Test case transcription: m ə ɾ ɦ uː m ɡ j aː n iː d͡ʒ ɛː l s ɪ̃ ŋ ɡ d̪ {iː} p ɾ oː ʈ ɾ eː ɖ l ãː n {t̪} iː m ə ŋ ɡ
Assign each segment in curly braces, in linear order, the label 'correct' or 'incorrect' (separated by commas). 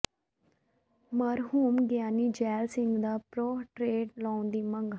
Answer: incorrect, incorrect